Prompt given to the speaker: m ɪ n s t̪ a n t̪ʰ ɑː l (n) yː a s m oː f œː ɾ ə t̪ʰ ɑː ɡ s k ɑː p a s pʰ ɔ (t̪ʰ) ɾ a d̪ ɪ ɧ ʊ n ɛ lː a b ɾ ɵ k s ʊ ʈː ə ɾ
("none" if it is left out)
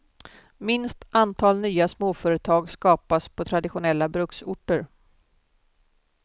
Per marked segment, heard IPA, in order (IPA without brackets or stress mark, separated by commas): n, t̪ʰ